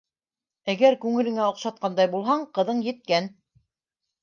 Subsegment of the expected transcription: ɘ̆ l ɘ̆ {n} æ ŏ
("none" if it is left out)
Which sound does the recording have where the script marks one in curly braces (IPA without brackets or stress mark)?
ŋ